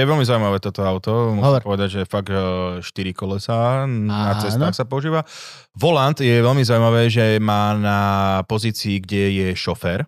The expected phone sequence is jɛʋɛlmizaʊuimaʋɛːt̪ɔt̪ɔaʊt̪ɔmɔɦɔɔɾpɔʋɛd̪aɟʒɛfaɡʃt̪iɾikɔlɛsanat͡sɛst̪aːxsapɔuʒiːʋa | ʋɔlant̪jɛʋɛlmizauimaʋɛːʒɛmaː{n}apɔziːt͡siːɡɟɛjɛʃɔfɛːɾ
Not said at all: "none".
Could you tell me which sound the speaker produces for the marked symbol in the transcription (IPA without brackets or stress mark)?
n